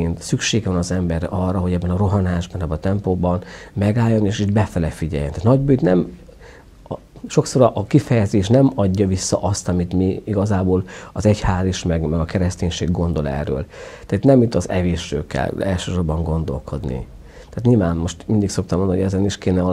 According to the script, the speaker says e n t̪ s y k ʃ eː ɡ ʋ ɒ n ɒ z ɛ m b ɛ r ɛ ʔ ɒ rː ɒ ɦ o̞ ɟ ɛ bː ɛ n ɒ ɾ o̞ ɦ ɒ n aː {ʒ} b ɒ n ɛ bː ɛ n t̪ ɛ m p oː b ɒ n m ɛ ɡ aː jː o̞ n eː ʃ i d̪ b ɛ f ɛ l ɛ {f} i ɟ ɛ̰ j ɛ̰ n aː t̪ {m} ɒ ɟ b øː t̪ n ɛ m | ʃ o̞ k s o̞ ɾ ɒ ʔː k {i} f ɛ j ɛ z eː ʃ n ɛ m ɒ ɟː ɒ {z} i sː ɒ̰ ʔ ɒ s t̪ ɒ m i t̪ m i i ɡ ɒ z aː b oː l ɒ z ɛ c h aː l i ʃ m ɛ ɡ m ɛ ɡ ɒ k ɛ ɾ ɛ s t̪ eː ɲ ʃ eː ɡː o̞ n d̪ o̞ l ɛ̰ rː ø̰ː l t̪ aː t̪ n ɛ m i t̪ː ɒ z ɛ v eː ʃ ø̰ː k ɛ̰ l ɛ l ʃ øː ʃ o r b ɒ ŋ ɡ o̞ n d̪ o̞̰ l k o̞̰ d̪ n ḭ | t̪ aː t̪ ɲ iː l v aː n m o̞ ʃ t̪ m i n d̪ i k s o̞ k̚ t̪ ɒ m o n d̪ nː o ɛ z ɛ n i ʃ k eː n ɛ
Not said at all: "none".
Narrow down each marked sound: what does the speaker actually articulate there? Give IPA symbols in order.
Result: ʒ, f, n, i, v

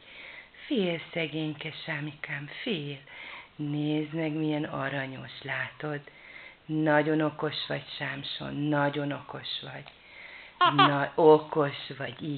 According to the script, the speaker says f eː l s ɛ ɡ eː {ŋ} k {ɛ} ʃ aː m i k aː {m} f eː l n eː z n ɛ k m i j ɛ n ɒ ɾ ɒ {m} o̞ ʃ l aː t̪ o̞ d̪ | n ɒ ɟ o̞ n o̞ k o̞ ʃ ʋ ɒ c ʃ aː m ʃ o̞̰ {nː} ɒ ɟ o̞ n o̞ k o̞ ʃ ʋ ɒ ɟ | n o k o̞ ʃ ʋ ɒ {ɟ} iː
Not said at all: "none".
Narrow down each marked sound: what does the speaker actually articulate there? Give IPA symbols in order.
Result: ɲ, ɛ, m, ɲ, nː, ɟ

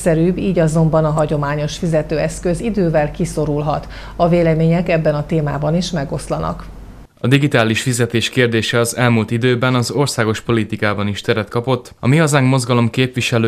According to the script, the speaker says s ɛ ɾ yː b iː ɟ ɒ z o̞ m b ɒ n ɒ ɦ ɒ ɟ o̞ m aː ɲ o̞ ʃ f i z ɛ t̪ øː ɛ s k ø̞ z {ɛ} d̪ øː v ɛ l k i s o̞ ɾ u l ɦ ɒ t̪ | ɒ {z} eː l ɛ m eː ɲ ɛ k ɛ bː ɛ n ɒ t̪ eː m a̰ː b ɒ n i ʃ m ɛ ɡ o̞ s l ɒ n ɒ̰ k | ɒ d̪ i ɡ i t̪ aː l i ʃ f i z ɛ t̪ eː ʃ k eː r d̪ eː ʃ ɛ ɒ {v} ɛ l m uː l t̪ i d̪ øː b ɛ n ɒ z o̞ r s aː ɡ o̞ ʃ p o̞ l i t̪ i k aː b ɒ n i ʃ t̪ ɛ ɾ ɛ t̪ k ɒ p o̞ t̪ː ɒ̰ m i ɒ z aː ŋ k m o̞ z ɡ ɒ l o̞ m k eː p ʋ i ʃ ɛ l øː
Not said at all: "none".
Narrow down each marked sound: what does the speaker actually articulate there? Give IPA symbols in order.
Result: i, v, z

